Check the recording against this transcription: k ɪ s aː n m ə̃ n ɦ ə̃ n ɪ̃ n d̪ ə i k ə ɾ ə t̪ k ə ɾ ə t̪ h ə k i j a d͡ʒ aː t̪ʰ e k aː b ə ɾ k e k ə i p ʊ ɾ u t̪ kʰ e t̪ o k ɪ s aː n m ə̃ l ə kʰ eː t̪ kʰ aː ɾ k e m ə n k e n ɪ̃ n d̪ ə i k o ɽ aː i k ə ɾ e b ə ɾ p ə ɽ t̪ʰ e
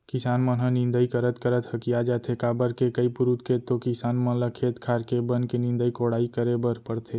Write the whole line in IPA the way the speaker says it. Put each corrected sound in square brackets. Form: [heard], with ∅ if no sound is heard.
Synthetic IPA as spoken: k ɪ s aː n m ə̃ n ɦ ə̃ n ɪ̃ n d̪ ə i k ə ɾ ə t̪ k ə ɾ ə t̪ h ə k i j a d͡ʒ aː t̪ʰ e k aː b ə ɾ k e k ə i p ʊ ɾ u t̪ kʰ e t̪ o k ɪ s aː n m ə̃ l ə kʰ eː t̪ kʰ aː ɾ k e [b] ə n k e n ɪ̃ n d̪ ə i k o ɽ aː i k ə ɾ e b ə ɾ p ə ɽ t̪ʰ e